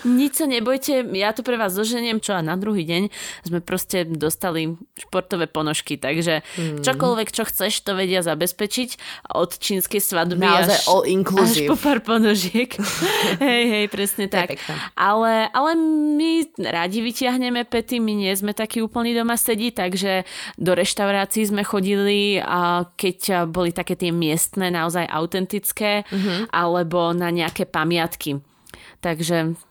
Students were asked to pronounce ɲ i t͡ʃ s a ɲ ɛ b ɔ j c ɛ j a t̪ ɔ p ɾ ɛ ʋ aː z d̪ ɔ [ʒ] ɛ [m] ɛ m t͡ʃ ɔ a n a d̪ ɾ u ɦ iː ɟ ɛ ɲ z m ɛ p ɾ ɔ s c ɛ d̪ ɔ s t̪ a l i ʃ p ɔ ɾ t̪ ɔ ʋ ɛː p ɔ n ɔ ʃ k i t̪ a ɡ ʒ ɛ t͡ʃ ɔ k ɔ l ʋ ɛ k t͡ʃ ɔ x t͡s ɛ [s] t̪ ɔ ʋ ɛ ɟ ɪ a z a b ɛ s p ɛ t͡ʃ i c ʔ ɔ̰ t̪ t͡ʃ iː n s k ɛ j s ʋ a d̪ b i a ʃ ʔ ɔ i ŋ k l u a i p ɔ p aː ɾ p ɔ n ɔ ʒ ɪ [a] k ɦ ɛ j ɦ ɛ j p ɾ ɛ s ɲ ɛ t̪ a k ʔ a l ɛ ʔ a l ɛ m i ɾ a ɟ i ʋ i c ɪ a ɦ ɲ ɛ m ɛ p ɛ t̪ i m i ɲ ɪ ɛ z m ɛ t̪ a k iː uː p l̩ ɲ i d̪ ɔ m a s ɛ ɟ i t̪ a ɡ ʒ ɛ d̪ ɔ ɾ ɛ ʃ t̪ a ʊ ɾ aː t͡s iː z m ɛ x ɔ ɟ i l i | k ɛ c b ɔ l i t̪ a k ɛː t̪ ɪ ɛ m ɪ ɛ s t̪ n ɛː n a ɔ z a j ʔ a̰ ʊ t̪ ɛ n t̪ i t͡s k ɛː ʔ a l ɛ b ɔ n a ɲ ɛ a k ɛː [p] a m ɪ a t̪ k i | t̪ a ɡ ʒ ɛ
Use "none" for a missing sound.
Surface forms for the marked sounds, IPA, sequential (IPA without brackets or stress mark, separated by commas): ʒ, ɲ, ʃ, ɛ, p